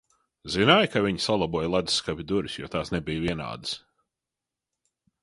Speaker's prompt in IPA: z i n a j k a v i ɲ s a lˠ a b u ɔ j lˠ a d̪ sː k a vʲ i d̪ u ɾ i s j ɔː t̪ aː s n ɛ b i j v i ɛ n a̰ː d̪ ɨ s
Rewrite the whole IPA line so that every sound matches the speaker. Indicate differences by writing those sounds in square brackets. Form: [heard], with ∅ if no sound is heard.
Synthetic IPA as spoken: z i n a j k a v i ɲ s a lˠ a b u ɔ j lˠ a d̪ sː k a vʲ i d̪ u ɾ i s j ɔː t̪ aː s n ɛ b i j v i ɛ n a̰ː d̪ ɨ s